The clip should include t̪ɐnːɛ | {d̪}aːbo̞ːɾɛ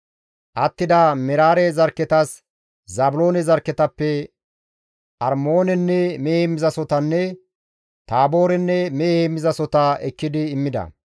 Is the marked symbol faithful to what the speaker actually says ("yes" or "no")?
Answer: no